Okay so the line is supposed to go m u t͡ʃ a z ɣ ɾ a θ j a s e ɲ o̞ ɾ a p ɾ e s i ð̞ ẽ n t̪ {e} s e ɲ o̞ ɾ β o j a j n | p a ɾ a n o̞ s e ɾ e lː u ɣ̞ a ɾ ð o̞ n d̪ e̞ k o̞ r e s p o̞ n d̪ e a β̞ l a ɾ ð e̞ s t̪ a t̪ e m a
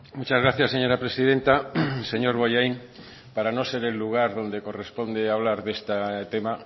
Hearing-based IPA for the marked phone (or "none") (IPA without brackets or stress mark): a